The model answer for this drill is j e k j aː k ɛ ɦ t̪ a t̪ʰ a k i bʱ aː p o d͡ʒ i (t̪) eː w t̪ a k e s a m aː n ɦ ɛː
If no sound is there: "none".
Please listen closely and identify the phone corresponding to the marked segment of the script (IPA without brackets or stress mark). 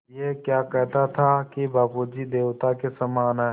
d̪